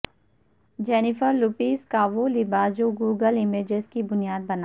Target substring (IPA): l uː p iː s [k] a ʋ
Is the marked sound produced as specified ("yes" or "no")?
yes